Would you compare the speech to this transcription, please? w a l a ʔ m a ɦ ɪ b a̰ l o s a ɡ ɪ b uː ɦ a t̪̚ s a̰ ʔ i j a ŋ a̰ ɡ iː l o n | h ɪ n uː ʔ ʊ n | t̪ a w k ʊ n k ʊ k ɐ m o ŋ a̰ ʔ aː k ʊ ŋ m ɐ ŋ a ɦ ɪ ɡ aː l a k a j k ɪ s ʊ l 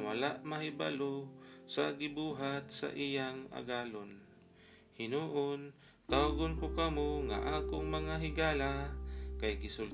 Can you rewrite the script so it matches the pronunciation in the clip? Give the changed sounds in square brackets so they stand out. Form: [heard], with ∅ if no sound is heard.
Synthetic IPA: w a l a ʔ m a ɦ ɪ b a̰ l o s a ɡ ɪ b uː ɦ a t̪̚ s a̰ ʔ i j a ŋ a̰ ɡ [aː] l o n | h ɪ n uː ʔ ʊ n | t̪ a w [ɡ] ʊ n k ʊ k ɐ m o ŋ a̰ ʔ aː k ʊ ŋ m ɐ ŋ a ɦ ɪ ɡ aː l a k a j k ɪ s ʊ l